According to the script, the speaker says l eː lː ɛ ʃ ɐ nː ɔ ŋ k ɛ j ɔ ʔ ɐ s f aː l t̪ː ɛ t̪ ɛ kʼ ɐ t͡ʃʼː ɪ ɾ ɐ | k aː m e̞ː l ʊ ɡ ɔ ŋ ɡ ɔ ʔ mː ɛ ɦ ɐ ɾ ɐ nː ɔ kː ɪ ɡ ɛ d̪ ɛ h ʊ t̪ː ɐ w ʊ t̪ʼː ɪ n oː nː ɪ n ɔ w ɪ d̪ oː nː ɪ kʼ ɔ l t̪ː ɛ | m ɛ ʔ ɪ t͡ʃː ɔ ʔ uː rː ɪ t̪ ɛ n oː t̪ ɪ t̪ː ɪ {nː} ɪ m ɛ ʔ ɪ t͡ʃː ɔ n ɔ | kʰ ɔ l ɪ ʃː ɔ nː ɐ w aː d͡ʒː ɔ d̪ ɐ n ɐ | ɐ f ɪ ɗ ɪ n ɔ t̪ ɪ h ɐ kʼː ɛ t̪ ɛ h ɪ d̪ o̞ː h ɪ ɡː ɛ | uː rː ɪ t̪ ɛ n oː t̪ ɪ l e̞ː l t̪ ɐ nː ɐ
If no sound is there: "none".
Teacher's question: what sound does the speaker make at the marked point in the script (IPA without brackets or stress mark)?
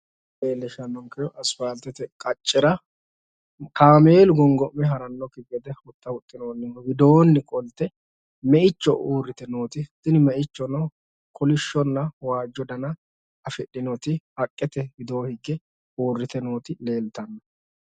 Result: n